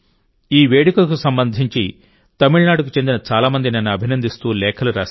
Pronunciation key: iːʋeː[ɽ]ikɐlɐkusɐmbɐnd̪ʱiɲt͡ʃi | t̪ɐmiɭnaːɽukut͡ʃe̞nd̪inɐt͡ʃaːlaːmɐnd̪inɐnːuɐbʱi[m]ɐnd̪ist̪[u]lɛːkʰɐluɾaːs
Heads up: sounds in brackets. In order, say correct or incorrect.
correct, incorrect: n, incorrect: uː

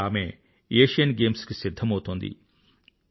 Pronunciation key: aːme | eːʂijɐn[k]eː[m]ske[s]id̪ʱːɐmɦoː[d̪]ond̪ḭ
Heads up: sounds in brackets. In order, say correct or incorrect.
incorrect: ɡ, correct, correct, incorrect: t̪

